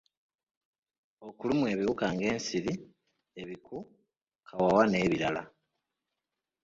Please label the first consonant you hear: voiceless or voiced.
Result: voiceless